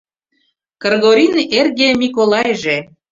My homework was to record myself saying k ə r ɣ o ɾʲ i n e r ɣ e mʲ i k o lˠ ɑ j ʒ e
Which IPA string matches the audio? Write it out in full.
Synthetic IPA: k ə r ɣ o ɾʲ i n e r ɣ e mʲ i k o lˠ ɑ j ʒ e